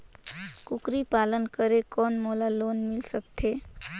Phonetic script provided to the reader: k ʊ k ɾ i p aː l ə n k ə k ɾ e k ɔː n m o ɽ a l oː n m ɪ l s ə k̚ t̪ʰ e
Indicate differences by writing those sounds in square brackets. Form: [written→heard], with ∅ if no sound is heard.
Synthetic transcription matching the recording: k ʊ k ɾ i p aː l ə n k ə [k→∅] ɾ e k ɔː n m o [ɽ→l] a l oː n m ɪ l s ə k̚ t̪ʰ e